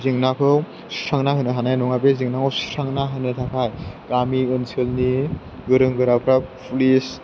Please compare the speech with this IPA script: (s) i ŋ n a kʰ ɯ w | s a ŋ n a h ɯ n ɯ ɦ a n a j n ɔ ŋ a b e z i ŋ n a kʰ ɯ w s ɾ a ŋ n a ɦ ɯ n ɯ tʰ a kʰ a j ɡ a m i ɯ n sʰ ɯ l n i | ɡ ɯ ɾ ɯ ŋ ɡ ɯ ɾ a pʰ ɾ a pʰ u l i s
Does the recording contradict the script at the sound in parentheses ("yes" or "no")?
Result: yes